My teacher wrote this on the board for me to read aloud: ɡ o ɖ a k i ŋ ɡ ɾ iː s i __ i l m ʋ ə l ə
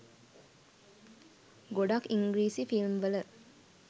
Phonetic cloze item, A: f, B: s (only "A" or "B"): A